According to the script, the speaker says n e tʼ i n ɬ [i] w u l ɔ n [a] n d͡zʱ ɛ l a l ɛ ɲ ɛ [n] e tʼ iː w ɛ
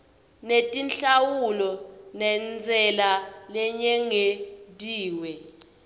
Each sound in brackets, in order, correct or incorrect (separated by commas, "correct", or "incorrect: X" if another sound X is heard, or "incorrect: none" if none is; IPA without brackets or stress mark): incorrect: a, incorrect: ɛ, incorrect: ŋ